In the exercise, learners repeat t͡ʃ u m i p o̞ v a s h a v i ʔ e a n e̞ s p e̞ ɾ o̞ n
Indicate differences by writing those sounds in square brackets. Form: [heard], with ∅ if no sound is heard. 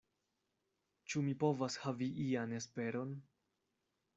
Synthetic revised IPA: t͡ʃ u m i p o̞ v a s h a v i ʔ [i] a n e̞ s p e̞ ɾ o̞ n